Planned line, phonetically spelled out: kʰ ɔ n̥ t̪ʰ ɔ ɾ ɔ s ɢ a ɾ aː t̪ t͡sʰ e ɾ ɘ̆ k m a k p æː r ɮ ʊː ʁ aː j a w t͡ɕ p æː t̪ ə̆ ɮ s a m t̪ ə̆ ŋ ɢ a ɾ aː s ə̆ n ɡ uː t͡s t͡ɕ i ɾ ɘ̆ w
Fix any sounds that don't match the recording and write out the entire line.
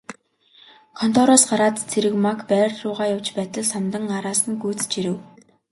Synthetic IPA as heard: kʰ ɔ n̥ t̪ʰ ɔ ɾ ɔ s ɢ a ɾ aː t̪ t͡sʰ e ɾ ɘ̆ k m a k p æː r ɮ ʊː ʁ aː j a w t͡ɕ p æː t̪ ə̆ ɮ s a m t̪ ə̆ ŋ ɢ a ɾ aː s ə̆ n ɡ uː t͡s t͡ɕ i ɾ ɘ̆ w